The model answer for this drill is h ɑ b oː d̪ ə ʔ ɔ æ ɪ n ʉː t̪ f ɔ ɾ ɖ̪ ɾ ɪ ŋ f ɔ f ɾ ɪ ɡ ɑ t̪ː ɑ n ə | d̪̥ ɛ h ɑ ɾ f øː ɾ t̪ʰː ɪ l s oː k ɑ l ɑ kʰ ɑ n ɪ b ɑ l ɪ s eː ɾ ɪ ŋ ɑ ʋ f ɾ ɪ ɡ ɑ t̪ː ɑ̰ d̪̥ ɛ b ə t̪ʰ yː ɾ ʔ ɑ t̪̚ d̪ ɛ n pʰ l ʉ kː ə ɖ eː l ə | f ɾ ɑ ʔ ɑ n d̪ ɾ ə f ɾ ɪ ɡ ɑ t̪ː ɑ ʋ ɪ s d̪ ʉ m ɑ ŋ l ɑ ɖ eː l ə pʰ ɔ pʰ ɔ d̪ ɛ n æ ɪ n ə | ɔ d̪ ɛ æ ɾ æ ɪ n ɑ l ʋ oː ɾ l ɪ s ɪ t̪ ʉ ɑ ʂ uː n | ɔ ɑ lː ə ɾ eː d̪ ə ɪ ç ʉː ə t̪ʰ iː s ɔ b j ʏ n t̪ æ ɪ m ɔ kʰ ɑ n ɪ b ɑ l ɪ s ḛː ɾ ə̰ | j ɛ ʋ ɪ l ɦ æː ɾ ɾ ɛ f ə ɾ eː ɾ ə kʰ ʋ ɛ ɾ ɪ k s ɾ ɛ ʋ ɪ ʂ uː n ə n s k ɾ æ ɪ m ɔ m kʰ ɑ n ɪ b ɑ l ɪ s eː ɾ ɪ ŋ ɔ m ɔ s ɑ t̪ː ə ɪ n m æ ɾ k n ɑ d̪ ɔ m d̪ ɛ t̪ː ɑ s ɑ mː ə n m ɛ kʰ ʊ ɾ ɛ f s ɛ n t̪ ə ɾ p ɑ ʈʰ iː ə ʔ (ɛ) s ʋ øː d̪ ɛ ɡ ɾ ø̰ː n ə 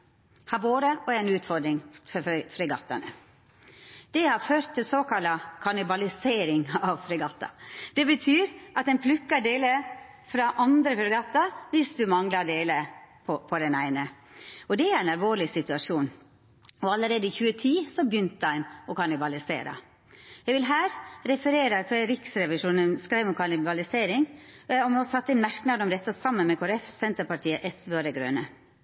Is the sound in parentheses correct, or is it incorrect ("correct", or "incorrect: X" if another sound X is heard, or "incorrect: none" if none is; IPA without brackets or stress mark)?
correct